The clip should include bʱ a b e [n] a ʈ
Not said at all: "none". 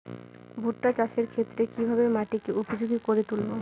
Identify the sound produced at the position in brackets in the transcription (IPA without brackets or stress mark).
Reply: m